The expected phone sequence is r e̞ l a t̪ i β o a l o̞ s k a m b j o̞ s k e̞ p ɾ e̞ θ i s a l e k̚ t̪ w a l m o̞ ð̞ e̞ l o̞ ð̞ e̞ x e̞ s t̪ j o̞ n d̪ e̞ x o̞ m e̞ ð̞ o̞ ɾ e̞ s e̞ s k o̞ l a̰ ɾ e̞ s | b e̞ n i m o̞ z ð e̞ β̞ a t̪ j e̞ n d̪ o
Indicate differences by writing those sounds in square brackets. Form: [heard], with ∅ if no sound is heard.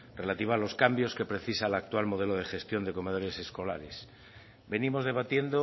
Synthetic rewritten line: r e̞ l a t̪ i β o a l o̞ s k a m b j o̞ s k e̞ p ɾ e̞ θ i s a l [a] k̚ t̪ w a l m o̞ ð̞ e̞ l o̞ ð̞ e̞ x e̞ s t̪ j o̞ n d̪ e̞ [k] o̞ m e̞ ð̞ o̞ ɾ e̞ s e̞ s k o̞ l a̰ ɾ e̞ s | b e̞ n i m o̞ z ð e̞ β̞ a t̪ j e̞ n d̪ o